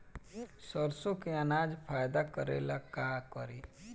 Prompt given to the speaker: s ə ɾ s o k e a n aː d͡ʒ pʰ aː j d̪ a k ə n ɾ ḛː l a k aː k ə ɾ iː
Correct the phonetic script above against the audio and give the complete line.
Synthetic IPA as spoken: s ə ɾ s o k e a n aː d͡ʒ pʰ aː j d̪ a k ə ɾ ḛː l a k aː k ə ɾ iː